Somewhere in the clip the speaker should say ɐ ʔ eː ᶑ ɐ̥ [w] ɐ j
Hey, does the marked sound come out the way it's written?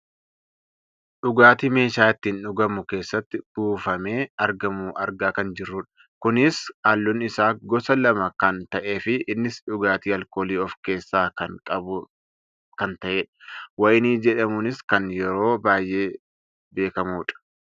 yes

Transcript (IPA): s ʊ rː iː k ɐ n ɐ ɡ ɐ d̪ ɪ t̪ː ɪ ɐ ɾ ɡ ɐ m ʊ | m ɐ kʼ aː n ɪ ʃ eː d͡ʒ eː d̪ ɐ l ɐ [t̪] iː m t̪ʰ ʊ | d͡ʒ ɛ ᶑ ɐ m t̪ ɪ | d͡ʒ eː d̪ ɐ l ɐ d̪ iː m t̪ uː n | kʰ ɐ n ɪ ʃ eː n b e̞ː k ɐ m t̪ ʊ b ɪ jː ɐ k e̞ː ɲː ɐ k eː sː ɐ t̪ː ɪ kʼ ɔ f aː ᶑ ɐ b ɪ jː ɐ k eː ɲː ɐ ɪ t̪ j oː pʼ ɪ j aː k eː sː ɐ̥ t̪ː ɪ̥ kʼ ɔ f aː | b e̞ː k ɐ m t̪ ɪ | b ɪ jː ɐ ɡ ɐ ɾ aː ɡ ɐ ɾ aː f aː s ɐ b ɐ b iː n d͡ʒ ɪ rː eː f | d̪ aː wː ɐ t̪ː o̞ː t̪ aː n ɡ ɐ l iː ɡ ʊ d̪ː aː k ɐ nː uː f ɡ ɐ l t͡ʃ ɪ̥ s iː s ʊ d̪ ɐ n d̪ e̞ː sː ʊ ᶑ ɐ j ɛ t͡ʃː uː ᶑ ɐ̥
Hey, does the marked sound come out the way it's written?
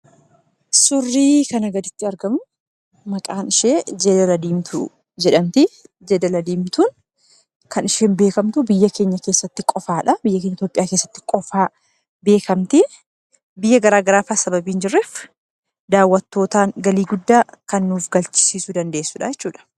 no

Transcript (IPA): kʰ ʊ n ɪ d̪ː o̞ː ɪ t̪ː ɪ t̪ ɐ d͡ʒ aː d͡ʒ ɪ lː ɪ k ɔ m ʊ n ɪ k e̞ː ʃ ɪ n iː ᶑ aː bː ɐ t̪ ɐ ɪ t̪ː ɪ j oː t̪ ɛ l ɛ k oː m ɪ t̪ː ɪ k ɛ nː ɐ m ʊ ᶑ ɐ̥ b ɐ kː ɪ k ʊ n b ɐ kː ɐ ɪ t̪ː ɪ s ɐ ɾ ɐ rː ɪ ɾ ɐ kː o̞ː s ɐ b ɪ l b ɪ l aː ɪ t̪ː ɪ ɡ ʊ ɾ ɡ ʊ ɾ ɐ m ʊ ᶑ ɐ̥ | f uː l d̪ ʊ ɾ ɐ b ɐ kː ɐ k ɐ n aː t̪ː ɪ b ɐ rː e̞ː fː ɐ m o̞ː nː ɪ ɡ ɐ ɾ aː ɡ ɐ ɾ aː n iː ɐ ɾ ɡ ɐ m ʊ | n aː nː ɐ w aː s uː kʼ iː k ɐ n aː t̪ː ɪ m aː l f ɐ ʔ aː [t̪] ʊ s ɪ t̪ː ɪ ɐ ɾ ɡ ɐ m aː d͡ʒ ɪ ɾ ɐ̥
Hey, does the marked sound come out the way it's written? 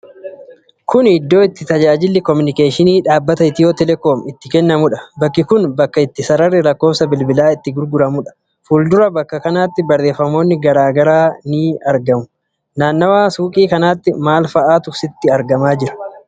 yes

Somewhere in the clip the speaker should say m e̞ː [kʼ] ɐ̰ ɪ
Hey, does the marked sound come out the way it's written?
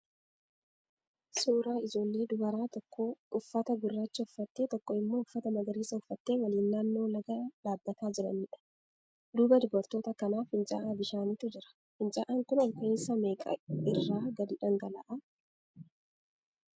yes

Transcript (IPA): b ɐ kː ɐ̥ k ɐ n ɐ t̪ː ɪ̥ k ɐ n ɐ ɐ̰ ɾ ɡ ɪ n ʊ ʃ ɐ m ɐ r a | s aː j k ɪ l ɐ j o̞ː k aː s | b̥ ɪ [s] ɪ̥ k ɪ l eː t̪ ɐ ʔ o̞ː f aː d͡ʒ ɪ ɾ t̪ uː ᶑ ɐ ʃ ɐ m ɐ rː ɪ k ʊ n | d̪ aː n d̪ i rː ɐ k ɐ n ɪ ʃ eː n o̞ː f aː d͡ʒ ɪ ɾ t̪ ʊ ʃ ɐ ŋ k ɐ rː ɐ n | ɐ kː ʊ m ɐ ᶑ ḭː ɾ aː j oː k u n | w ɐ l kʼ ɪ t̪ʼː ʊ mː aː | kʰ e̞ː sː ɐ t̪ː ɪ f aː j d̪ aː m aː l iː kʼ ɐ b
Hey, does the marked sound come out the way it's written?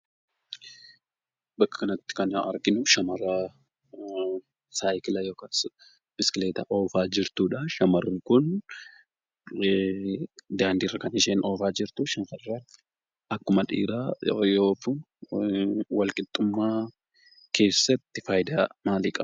yes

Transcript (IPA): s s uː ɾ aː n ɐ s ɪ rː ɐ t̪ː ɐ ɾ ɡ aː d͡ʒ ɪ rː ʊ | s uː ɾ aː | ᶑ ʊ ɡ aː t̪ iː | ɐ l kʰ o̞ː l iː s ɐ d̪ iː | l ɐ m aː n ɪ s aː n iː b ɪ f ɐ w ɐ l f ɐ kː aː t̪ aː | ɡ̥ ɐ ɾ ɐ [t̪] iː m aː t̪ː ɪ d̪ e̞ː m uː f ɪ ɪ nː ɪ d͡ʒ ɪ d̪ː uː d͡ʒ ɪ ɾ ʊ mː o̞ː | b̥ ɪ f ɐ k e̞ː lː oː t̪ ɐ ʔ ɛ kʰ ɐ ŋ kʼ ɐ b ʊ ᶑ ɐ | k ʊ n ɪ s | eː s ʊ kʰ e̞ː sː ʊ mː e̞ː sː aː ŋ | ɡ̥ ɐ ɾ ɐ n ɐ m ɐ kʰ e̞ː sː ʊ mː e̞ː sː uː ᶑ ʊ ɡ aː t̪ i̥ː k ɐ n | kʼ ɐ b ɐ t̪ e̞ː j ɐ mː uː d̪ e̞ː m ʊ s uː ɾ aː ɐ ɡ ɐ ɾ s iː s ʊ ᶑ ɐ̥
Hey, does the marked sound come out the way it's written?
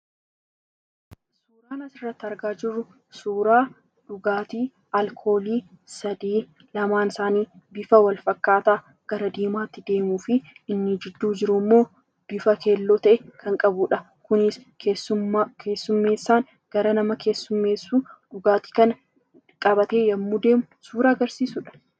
no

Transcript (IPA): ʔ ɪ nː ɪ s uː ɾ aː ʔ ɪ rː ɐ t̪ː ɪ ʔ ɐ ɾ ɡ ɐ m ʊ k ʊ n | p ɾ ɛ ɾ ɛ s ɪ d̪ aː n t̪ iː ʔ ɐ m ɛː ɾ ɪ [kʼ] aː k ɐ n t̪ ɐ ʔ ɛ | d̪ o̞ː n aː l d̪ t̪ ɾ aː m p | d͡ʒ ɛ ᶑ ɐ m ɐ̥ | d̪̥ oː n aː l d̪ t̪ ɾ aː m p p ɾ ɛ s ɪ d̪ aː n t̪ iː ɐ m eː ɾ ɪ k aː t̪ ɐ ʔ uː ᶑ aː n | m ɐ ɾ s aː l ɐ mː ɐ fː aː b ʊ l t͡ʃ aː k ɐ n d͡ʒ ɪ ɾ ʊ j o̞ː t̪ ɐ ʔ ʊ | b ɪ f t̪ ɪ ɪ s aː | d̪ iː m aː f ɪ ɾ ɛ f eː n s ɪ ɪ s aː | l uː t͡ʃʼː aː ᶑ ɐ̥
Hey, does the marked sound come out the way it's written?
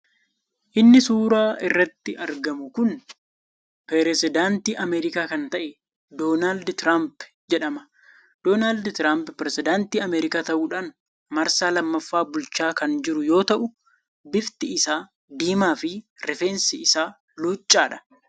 no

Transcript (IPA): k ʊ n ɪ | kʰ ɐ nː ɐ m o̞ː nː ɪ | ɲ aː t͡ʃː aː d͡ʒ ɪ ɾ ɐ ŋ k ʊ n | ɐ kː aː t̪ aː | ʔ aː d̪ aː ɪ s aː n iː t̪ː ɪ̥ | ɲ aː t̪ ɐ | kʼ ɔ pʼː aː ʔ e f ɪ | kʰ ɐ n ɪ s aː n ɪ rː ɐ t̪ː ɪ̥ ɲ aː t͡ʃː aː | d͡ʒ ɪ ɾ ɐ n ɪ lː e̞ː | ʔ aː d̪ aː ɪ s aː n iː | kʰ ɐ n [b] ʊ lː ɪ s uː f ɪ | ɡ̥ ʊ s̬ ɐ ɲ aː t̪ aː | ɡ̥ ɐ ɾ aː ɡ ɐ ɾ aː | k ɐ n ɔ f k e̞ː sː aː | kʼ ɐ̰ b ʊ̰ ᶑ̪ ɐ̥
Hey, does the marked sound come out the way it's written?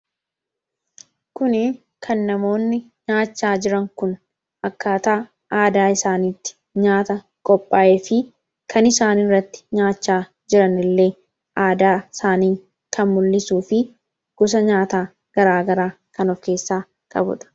no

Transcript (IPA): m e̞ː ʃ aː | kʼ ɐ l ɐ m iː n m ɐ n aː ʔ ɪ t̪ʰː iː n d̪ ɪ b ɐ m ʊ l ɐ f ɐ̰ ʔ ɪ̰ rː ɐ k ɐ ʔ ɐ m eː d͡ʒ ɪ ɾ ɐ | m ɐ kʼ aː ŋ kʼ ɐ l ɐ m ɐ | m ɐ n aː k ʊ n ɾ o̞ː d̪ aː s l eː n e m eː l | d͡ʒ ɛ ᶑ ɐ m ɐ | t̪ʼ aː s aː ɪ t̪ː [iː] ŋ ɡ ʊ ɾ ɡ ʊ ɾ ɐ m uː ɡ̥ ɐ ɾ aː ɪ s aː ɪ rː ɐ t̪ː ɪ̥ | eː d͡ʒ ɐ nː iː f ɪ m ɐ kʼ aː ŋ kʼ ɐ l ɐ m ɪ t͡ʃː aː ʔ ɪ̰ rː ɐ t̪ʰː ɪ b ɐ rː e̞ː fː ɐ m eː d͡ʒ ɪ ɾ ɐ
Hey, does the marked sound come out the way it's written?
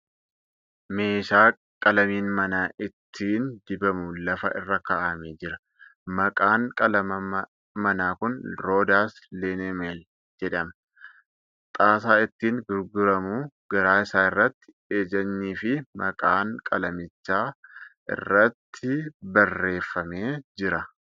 yes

